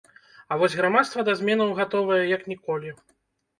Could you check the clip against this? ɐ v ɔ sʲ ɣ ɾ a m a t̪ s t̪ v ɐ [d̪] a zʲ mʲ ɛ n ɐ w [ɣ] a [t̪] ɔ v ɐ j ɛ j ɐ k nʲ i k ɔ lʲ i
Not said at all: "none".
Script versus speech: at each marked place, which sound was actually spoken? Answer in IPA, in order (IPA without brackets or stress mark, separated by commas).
d̪, ɣ, t̪